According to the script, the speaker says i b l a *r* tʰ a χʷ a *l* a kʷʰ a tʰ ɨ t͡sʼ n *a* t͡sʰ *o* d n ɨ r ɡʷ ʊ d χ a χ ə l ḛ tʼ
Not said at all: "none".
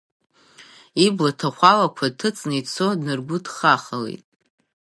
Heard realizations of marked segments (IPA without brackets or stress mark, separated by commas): none, l, i, o